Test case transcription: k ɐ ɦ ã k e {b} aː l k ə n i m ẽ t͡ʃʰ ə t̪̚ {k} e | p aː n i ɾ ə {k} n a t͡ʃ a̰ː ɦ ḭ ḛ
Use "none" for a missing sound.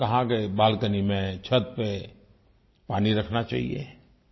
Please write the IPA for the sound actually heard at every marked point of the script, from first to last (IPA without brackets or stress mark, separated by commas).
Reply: b, p, kʰ